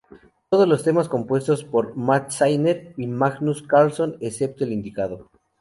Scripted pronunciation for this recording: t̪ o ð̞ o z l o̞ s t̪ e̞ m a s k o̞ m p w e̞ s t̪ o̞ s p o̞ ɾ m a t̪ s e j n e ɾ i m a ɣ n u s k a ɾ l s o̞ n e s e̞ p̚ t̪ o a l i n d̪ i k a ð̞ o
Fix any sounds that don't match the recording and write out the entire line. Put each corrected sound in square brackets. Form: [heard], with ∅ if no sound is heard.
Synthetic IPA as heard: t̪ o ð̞ o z l o̞ s t̪ e̞ m a s k o̞ m p w e̞ s t̪ o̞ s p o̞ ɾ m a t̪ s [a] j n e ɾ i m a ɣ n u s k a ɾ l s o̞ n e s e̞ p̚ t̪ o [e] l i n d̪ i k a ð̞ o